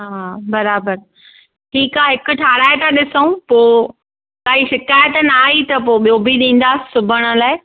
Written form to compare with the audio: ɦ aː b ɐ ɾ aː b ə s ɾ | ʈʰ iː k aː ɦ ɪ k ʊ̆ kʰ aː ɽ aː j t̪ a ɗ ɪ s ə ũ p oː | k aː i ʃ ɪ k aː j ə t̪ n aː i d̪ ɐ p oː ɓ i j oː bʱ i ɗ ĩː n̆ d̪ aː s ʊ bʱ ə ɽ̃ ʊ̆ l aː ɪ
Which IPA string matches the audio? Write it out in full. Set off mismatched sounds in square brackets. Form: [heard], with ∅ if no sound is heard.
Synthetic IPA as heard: ɦ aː b ɐ ɾ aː b ə [∅] ɾ | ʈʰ iː k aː ɦ ɪ k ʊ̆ [ʈʰ] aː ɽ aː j t̪ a ɗ ɪ s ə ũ p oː | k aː i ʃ ɪ k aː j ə t̪ n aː i [t̪] ɐ p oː ɓ i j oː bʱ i ɗ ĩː n̆ d̪ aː s ʊ bʱ ə ɽ̃ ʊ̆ l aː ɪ